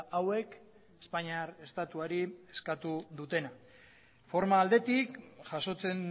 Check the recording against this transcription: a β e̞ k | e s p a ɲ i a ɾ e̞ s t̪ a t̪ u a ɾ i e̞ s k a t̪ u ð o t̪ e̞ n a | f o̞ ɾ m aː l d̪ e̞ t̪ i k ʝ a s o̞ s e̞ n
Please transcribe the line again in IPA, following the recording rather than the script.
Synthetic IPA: a w e̞ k | e s p a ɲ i a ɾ e̞ s t̪ a t̪ u a ɾ i e̞ s k a t̪ u ð u t̪ e̞ n a | f o̞ ɾ m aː l d̪ e̞ t̪ i k ʝ a s o̞ t͡s e̞ n

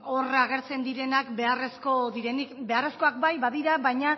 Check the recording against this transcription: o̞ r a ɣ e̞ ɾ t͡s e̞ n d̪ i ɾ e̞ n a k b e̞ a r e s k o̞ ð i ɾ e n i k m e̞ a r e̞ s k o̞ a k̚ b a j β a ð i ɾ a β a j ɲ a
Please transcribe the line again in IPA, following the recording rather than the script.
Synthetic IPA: o̞ r a ɣ e̞ ɾ t͡s e̞ n d̪ i ɾ e̞ n a k b e̞ a r e s k o̞ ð i ɾ e n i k b e̞ a r e̞ s k o̞ a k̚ b a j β a ð i ɾ a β a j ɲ a

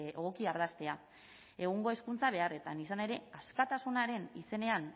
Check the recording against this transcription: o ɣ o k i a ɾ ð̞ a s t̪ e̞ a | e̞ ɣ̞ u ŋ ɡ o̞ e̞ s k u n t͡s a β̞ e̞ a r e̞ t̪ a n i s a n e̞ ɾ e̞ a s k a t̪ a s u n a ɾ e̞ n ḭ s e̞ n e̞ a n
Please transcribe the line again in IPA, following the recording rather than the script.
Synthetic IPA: o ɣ o k i a ɾ ð̞ a s t̪ e̞ a | e̞ ɣ̞ u ŋ ɡ o̞ e̞ s k u n t͡s a β̞ e̞ a r e̞ t̪ a n i s a n e̞ ɾ e̞ a s k a t̪ a s u n a ɾ e̞ n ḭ s e̞ n e̞ a n

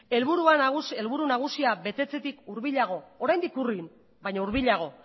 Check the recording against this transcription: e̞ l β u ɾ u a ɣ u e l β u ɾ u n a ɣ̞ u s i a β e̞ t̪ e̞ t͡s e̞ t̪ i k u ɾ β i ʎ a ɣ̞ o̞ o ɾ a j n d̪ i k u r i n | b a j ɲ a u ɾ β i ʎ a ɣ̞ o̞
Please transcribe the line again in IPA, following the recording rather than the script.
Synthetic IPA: e̞ l β u ɾ u a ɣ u e l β u ɾ u n a ɣ̞ u s i a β e̞ t̪ e̞ t͡s e̞ t̪ i k u ɾ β i ʎ a ɣ̞ o̞ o ɾ a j n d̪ i k u r i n | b a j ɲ a u ɾ β i ʎ a ɣ̞ o̞

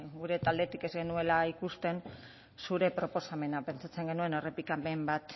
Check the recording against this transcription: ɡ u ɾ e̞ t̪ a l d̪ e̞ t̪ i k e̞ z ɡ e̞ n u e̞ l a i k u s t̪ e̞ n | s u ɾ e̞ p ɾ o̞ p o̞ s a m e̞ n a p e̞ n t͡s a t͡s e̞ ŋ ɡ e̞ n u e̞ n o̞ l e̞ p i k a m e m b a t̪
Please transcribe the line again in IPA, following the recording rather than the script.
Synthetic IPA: ɡ u ɾ e̞ t̪ a l d̪ e̞ t̪ i k e̞ z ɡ e̞ n u e̞ l a i k u s t̪ e̞ n | s u ɾ e̞ p ɾ o̞ p o̞ s a m e̞ n a p e̞ n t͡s a t͡s e̞ ŋ ɡ e̞ n u e̞ n o̞ r e̞ p i k a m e m b a t̪

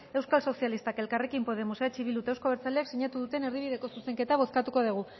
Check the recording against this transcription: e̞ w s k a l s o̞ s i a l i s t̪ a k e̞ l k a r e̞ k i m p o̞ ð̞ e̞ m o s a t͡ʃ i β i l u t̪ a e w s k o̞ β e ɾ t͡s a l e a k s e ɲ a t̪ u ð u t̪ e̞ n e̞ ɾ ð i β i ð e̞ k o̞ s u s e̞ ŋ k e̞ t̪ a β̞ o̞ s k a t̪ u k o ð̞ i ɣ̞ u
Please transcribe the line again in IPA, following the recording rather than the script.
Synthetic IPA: e̞ w s k a l s o̞ s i a l i s t̪ a k e̞ l k a r e̞ k i m p o̞ ð̞ e̞ m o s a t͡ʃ i β i l u t̪ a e w s k o̞ β e ɾ t͡s a l e a k s i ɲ a t̪ u ð u t̪ e̞ n e̞ ɾ ð i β i ð e̞ k o̞ s u s e̞ ŋ k e̞ t̪ a β̞ o̞ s k a t̪ u k o ð̞ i ɣ̞ u

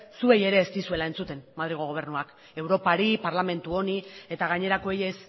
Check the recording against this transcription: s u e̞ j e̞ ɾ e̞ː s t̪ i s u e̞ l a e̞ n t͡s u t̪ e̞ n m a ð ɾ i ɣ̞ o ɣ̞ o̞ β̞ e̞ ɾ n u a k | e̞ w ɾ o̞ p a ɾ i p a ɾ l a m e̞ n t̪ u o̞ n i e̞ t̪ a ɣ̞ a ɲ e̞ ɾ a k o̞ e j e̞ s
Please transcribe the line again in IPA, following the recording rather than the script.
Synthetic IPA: s u e̞ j e̞ ɾ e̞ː s t̪ i s u e̞ l a e̞ n t͡s u t̪ e̞ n m a ð ɾ i ɣ̞ o ɣ̞ o̞ β̞ e̞ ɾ n u a k | e̞ w ɾ o̞ p a ɾ i p a ɾ l a m e̞ n t̪ u o̞ n i e̞ t̪ a ɣ̞ a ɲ e̞ ɾ a k o̞ e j e̞ s

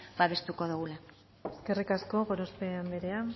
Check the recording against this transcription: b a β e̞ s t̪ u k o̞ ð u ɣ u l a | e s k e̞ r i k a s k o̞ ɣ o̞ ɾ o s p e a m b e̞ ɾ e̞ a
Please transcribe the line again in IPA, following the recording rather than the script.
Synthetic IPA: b a β e̞ s t̪ u k o̞ ð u ɣ u l a | e s k e̞ r i k a s k o̞ ɣ o̞ ɾ o s p e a m b e̞ ɾ e̞ a

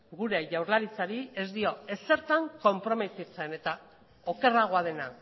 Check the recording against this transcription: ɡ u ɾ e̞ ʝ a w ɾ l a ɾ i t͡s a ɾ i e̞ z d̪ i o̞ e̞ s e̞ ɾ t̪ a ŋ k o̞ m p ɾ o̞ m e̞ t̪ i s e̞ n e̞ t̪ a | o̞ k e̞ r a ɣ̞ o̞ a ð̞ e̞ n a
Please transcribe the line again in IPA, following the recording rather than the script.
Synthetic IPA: ɡ u ɾ e̞ ʝ a w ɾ l a ɾ i t͡s a ɾ i e̞ z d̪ i o̞ e̞ s e̞ ɾ t̪ a ŋ k o̞ m p ɾ o̞ m e̞ t̪ i t͡s e̞ n e̞ t̪ a | o̞ k e̞ r a ɣ̞ o̞ a ð̞ e̞ n a

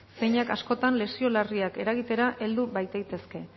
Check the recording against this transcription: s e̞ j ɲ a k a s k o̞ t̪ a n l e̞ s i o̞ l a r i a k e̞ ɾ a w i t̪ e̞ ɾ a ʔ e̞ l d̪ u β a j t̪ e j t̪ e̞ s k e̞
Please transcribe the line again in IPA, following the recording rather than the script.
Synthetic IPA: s e̞ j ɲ a k a s k o̞ t̪ a n l e̞ s i o̞ l a r i a k e̞ ɾ a ɣ i t̪ e̞ ɾ a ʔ e̞ l d̪ u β a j t̪ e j t̪ e̞ s k e̞

